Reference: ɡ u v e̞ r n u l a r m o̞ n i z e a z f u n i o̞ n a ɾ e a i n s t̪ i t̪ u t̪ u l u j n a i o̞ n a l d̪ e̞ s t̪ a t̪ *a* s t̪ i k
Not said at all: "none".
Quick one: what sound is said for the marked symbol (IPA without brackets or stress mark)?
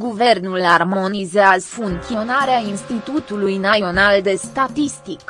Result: i